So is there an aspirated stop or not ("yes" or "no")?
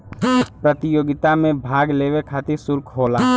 yes